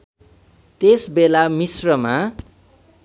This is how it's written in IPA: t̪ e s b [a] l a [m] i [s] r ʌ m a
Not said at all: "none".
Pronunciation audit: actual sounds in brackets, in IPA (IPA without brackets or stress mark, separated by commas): e, m, s